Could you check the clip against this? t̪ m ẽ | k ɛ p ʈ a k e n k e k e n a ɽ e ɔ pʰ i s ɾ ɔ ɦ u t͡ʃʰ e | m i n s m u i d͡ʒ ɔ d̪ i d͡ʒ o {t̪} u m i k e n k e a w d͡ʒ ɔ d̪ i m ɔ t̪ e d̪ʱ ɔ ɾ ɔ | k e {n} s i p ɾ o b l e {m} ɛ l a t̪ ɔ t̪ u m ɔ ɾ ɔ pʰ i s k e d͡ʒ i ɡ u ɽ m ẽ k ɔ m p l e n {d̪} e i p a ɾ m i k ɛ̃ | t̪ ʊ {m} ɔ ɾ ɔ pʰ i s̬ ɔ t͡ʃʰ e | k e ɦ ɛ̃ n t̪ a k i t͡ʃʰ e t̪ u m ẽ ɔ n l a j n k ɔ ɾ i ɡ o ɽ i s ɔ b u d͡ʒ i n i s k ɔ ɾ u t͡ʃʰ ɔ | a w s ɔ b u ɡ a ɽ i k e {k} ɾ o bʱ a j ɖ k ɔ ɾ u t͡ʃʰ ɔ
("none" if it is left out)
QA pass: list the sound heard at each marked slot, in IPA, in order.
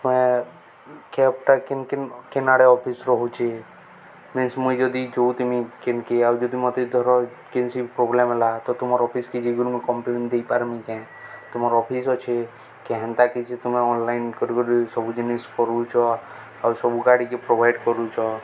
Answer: t̪, n, m, d̪, m, p

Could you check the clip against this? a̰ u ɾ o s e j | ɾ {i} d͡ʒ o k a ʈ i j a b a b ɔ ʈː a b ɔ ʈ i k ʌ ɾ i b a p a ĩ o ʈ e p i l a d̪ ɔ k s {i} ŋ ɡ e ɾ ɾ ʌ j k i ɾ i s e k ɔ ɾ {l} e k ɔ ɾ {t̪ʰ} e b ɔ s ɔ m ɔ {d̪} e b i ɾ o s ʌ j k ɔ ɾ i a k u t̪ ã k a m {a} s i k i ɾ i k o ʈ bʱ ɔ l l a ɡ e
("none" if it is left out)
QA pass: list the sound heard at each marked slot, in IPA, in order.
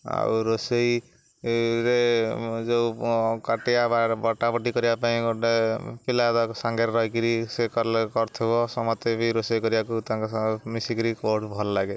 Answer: e, a, l, t̪ʰ, t̪, i

